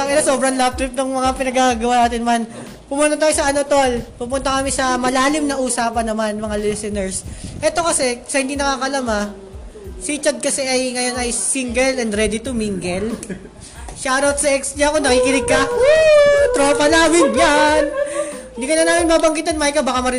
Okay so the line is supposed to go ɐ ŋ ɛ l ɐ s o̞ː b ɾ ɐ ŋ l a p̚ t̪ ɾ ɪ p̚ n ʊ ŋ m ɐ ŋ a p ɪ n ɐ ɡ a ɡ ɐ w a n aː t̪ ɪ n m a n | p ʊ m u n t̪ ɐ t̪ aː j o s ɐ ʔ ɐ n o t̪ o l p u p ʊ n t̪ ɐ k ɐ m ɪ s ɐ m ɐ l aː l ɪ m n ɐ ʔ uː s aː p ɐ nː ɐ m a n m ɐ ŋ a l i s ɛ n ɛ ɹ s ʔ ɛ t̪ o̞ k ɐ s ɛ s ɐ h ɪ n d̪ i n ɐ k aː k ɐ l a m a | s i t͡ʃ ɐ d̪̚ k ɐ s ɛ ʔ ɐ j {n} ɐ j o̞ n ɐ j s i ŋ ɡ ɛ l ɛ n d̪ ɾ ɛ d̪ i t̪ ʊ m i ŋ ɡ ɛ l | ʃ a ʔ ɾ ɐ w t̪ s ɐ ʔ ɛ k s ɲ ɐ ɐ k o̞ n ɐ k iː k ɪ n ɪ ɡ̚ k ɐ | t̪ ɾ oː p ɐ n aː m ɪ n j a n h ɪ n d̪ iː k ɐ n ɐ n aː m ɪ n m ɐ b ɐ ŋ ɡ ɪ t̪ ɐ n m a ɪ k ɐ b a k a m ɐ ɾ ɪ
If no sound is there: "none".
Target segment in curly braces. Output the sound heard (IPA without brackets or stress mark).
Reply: ŋ